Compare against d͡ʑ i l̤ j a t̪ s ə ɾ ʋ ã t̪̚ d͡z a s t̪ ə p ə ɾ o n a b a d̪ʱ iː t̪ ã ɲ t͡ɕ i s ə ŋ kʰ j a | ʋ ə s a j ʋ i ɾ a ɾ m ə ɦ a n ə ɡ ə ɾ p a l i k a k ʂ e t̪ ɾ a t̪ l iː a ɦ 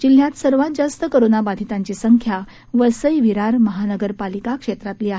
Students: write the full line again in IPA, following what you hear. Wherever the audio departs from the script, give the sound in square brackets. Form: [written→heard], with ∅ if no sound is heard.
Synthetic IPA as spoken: d͡ʑ i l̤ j a t̪ s ə ɾ ʋ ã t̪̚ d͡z a s t̪ ə [p→k] ə ɾ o n a b a d̪ʱ [iː→i] t̪ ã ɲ t͡ɕ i s ə ŋ kʰ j a | ʋ ə s [a→ə] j ʋ i ɾ a ɾ m ə ɦ a n ə ɡ ə ɾ p a l i k a k ʂ e t̪ ɾ a t̪ l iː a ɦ